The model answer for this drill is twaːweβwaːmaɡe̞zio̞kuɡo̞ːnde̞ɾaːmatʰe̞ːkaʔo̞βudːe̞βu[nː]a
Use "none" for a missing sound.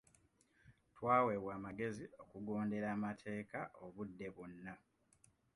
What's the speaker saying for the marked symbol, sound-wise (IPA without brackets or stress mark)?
nː